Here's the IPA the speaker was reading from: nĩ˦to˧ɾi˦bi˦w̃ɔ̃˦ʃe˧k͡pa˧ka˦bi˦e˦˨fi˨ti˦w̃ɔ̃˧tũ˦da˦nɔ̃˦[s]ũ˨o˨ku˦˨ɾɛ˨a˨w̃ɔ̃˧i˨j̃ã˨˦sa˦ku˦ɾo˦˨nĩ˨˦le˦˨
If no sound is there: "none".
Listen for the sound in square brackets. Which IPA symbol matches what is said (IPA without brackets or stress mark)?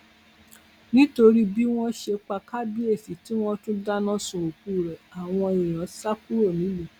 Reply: s